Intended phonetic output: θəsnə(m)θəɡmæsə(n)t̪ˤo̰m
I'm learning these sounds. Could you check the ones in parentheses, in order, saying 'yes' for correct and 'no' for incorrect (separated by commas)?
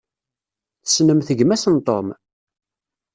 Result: yes, yes